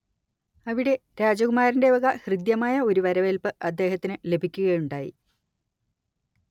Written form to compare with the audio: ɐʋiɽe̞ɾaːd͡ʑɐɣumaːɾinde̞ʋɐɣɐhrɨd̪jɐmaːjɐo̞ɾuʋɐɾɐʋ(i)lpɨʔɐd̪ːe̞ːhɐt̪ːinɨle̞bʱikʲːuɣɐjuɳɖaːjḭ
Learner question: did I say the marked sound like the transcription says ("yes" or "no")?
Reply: no